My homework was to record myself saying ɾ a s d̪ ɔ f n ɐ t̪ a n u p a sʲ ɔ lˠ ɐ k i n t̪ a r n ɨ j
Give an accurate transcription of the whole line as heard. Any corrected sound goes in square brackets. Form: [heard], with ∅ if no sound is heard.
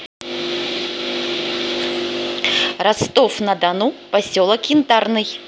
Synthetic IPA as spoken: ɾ a s [t̪] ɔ f n ɐ [d̪] a n u p a sʲ ɔ lˠ ɐ k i n t̪ a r n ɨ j